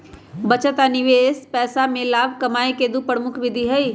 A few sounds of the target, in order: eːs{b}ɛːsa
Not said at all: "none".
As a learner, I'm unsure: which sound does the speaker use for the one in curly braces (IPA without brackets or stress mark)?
p